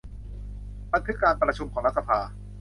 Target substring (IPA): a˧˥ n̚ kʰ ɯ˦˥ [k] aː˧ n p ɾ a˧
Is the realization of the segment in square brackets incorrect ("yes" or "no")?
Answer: no